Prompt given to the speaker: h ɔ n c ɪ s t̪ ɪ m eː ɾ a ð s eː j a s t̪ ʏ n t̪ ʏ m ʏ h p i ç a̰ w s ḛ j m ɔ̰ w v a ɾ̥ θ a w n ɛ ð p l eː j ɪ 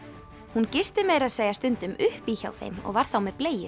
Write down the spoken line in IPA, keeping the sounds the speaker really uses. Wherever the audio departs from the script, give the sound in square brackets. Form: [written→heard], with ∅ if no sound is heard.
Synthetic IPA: h [ɔ→u] n c ɪ s t̪ ɪ m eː ɾ a ð s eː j a s t̪ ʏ n t̪ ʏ m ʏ h p i ç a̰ w [s→θ] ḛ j m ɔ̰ [w→ɣ] v a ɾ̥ θ a w [n→m] ɛ ð p l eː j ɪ